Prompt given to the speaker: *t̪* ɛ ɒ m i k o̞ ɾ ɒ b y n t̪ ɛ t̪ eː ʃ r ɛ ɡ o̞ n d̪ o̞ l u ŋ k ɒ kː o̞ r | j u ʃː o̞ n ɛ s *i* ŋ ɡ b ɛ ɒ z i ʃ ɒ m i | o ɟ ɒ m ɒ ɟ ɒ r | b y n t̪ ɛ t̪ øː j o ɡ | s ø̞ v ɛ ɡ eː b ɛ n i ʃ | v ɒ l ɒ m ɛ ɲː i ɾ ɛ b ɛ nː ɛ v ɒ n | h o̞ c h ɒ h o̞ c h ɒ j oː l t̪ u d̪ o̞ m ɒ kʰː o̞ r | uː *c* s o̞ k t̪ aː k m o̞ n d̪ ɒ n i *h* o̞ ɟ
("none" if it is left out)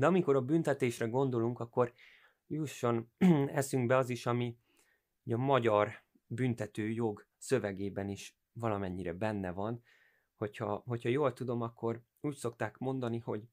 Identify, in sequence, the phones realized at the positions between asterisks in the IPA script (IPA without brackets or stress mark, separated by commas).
d̪, y, c, h